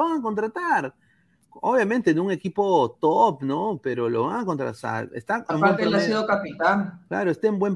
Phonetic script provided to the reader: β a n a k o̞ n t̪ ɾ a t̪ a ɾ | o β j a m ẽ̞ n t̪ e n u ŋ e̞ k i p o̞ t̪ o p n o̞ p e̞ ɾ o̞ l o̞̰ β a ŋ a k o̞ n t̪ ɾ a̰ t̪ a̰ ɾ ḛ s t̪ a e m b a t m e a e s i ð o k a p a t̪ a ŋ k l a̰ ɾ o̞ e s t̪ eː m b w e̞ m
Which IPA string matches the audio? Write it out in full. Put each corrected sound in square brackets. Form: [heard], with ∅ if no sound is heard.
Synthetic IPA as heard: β a [ŋ] a k o̞ n t̪ ɾ a t̪ a ɾ | o β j a m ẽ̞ n t̪ e n u ŋ e̞ k i p o̞ t̪ o p n o̞ p e̞ ɾ o̞ l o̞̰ β a ŋ a k o̞ n t̪ ɾ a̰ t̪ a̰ ɾ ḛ s t̪ a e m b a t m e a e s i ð o k a p [i] t̪ a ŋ k l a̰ ɾ o̞ e s t̪ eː m b w e̞ m